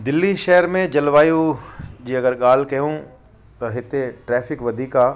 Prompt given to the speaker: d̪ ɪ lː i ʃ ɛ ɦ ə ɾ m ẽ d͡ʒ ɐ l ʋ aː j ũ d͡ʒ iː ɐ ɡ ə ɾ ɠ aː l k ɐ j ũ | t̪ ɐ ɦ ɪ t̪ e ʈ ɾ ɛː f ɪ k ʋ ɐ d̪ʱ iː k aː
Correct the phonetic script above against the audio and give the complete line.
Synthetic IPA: d̪ ɪ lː i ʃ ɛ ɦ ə ɾ m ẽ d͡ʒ ɐ l ʋ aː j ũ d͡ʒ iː ɐ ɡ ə ɾ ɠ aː l k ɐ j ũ | t̪ ɐ ɦ ɪ t̪ e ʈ ɾ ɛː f ɪ k ʋ ɐ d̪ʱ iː k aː